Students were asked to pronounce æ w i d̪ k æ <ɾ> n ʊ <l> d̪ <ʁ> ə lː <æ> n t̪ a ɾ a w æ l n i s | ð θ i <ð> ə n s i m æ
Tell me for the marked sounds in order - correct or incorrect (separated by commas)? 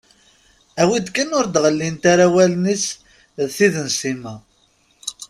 incorrect, incorrect, correct, incorrect, correct